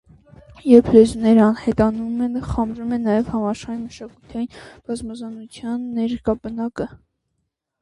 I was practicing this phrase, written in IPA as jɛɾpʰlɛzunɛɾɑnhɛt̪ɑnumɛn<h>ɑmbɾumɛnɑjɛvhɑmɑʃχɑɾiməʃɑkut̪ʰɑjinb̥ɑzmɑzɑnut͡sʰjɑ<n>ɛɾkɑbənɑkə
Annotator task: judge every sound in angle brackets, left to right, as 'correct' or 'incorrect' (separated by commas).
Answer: incorrect, incorrect